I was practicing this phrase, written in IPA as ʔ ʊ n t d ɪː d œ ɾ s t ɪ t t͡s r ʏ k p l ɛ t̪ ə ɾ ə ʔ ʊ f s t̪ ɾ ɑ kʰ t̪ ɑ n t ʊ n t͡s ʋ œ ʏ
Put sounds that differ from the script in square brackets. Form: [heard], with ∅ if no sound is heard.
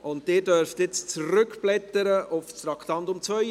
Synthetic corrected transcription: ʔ ʊ n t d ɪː d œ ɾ [f] t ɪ [t͡s] t͡s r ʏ k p l ɛ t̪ ə ɾ ə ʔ ʊ f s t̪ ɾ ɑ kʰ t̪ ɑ n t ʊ [m] t͡s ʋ œ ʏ